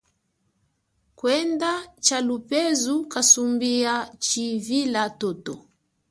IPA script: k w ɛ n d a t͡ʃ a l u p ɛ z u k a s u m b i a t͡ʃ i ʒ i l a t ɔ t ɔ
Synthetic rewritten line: k w ɛ n d a t͡ʃ a l u p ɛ z u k a s u m b i a t͡ʃ i v i l a t ɔ t ɔ